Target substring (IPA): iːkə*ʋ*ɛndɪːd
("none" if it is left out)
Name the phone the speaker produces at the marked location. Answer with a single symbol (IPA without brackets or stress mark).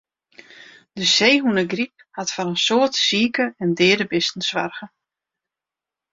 none